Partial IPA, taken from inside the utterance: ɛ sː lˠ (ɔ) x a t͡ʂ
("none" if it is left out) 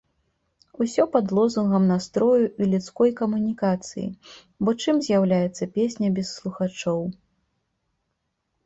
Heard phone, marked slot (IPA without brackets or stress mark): u